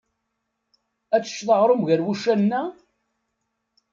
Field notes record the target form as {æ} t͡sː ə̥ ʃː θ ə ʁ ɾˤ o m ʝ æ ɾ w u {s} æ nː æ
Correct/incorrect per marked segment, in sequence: correct, incorrect: ʃ

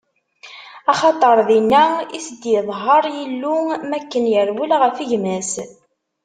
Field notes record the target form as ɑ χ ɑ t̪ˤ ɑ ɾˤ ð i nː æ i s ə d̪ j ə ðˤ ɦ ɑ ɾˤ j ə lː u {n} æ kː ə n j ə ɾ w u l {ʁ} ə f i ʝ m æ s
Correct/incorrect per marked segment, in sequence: incorrect: m, correct

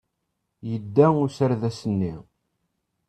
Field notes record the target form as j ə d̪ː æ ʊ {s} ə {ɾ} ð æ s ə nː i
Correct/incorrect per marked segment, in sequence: correct, correct

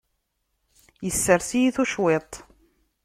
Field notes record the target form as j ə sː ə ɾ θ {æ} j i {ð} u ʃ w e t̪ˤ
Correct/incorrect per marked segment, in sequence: incorrect: i, incorrect: θ

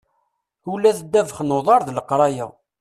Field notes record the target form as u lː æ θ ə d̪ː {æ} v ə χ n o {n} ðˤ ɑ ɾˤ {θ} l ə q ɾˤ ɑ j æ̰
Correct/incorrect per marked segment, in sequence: correct, incorrect: none, incorrect: ð

